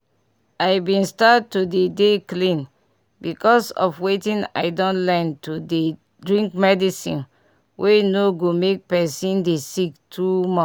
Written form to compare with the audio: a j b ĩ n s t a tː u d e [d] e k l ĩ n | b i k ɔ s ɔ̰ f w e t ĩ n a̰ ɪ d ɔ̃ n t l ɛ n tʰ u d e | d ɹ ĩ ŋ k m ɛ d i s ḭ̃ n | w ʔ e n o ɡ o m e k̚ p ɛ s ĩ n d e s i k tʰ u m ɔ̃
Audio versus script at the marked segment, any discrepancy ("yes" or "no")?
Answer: no